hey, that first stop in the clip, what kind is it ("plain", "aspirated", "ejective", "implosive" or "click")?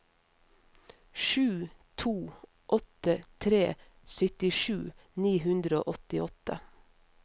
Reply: aspirated